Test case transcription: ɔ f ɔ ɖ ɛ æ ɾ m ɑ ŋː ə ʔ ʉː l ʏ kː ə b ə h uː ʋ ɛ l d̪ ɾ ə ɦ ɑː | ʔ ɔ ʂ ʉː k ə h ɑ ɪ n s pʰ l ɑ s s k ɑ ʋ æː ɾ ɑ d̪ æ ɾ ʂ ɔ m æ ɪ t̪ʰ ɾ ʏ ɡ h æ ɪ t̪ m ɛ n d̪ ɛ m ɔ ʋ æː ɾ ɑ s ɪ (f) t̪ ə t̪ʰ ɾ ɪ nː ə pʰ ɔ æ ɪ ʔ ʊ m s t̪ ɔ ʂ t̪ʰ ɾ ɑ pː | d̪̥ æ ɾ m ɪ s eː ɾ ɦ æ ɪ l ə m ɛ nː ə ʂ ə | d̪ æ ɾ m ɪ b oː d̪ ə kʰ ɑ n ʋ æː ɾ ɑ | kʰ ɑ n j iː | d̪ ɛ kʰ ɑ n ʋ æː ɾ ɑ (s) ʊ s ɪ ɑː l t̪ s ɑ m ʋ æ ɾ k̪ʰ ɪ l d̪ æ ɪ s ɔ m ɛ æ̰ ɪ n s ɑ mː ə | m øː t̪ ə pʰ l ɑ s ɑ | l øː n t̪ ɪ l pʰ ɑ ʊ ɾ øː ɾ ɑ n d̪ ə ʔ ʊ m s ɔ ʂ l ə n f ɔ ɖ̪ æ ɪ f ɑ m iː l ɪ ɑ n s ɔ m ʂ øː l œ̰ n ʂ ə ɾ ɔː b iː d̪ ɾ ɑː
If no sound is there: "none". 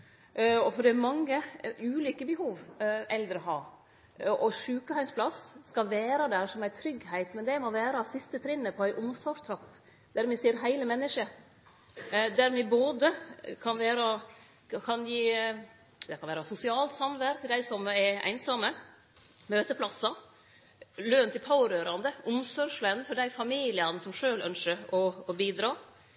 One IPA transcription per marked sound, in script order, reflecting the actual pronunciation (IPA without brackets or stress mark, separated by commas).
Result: s, s